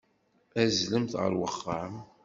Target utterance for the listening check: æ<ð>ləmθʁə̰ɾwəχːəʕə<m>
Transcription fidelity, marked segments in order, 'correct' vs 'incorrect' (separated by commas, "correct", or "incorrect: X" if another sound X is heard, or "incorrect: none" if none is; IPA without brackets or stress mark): incorrect: z, correct